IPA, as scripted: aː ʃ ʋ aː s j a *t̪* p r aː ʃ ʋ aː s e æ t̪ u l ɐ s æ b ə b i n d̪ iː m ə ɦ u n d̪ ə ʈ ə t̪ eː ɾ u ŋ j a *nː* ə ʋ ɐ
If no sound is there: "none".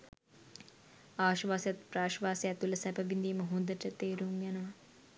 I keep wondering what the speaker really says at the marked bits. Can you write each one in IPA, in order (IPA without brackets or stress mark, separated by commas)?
t̪, n